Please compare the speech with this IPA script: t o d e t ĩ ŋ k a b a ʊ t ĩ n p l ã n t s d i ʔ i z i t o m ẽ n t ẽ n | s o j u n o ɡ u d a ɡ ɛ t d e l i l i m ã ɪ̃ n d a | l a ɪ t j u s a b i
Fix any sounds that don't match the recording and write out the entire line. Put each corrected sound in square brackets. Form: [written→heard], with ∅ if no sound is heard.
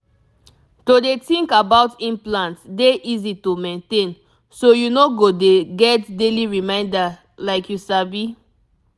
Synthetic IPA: t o d e t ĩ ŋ k a b a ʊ t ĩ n p l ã n t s d [i→e] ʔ i z i t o m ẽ n t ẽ n | s o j u n o ɡ [u→o] d [a→e] ɡ ɛ t d e l i [l→ɹ] i m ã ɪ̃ n d a | l a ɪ [t→k] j u s a b i